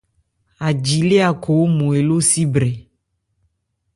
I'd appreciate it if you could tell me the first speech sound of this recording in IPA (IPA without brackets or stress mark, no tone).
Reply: a